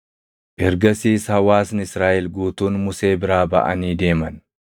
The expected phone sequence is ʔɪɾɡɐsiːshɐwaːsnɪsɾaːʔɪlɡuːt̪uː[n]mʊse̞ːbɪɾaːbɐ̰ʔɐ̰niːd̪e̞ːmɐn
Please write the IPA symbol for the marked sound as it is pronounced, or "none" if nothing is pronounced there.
n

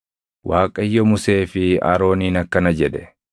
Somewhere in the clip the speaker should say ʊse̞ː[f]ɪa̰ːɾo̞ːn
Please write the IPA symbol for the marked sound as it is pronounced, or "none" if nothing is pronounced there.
f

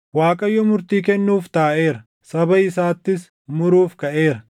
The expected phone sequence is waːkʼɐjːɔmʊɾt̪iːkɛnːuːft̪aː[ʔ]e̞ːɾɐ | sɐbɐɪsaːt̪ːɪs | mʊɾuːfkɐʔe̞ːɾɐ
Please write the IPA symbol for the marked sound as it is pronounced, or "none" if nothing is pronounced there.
ʔ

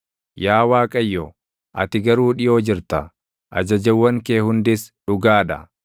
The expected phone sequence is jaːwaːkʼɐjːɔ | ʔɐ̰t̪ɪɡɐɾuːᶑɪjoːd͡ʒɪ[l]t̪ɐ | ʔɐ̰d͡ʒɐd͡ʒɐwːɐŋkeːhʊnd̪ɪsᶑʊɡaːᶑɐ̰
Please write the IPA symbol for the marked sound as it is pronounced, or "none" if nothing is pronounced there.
ɾ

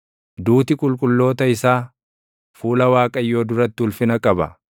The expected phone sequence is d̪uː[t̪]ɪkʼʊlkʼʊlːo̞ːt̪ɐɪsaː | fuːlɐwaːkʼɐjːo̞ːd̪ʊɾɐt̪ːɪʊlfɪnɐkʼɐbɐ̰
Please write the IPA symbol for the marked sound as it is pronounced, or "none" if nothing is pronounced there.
t̪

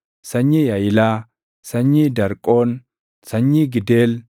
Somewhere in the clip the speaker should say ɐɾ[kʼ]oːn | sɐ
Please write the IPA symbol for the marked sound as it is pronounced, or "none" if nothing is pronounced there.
kʼ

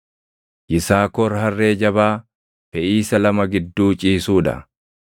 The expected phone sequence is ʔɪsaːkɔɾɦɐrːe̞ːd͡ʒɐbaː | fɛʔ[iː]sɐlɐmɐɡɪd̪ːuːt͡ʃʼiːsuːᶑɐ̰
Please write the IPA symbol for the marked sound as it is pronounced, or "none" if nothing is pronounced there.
iː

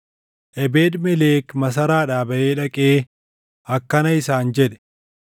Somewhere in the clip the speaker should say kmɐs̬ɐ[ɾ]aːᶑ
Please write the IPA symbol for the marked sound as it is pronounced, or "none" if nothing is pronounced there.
ɾ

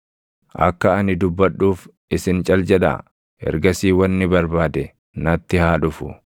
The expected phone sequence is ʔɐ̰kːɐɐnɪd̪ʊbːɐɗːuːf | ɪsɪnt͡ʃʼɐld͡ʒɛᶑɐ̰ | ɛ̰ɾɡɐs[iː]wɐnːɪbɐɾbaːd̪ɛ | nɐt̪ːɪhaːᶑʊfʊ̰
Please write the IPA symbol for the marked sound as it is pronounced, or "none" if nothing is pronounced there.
iː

